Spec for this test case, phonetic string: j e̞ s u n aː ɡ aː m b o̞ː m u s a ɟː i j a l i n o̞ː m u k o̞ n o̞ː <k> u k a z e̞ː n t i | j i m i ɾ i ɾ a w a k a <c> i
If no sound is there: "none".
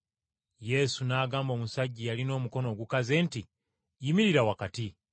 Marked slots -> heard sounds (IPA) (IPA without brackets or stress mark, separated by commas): ɡ, t